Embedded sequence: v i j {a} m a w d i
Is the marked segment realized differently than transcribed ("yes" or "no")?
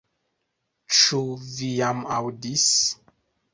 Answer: no